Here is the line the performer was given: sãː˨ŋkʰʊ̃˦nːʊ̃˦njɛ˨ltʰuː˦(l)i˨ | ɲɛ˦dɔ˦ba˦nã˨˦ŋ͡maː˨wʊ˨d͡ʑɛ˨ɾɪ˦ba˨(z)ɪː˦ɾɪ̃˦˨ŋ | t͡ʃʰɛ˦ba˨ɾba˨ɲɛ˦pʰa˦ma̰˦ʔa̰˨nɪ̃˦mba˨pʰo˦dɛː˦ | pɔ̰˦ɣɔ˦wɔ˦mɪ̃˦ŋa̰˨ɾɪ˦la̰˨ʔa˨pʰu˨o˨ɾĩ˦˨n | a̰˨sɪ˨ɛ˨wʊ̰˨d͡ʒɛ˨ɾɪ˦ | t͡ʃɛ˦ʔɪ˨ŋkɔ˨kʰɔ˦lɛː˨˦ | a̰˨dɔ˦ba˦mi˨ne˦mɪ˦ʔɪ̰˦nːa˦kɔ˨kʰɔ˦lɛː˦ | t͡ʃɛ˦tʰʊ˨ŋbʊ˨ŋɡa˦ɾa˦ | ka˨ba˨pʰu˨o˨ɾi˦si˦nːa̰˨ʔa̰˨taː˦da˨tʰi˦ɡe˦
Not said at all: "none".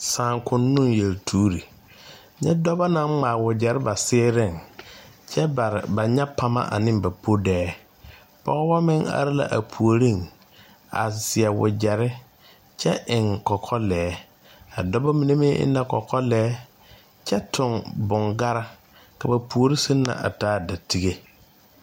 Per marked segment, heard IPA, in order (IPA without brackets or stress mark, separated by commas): ɾ, s